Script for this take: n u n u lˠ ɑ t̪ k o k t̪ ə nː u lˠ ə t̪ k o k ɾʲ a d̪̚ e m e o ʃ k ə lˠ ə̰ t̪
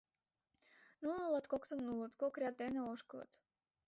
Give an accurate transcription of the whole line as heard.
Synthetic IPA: n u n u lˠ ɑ t̪ k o k t̪ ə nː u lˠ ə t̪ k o k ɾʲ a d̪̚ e n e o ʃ k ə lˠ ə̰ t̪

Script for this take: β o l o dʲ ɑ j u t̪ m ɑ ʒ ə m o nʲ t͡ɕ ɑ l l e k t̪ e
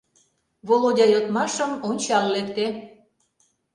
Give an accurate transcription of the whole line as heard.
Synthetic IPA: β o l o dʲ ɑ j o t̪ m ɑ ʃ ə m o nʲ t͡ɕ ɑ l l e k t̪ e

